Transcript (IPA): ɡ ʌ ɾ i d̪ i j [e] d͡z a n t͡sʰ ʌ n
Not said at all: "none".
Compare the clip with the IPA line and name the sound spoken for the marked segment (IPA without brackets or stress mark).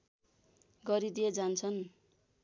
e